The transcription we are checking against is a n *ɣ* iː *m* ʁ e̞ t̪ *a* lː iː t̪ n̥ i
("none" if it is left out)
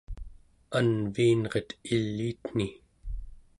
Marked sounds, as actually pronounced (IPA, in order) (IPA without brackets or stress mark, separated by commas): v, n, i